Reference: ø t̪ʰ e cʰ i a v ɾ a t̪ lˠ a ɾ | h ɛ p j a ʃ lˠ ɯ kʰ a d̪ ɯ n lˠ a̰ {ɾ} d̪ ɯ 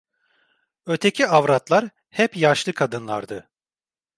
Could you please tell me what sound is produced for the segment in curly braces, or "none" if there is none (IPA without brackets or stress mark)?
ɾ